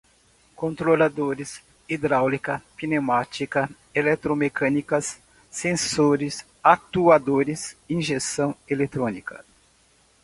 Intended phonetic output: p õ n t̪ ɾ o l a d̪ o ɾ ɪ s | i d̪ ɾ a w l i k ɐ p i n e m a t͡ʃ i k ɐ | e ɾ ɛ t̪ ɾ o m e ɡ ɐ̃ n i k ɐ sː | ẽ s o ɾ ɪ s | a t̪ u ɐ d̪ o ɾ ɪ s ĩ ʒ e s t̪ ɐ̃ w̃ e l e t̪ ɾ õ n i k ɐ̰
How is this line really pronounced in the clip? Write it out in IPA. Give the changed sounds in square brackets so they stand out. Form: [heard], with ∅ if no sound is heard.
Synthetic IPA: [k] õ n t̪ ɾ o l a d̪ o ɾ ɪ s | i d̪ ɾ a w l i k ɐ p i n e m a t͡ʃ i k ɐ | e [l] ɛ t̪ ɾ o m e [k] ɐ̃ n i k ɐ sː | ẽ s o ɾ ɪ s | a t̪ u [a] d̪ o ɾ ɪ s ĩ ʒ e s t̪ ɐ̃ w̃ e l e t̪ ɾ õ n i k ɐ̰